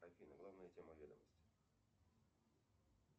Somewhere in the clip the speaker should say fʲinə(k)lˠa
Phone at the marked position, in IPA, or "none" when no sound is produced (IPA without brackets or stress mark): ɡ